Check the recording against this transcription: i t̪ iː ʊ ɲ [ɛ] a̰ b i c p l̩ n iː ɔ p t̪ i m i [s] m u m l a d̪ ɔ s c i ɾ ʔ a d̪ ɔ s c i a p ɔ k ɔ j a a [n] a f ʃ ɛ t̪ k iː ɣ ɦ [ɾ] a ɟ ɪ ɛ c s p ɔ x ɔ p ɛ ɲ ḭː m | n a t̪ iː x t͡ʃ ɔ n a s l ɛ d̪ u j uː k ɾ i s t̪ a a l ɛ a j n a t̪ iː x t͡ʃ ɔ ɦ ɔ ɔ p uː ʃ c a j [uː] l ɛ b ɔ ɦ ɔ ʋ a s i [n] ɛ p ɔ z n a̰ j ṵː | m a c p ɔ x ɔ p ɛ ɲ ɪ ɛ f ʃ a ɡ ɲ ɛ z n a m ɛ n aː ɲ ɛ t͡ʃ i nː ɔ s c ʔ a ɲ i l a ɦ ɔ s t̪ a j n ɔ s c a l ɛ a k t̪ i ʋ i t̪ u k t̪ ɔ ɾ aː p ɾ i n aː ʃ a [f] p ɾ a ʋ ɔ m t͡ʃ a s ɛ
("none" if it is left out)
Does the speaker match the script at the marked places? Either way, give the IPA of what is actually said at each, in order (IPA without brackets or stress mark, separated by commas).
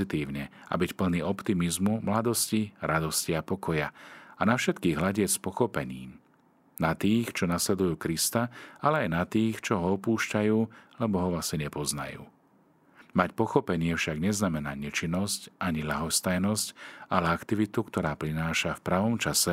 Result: ɛ, z, n, l, uː, ɲ, f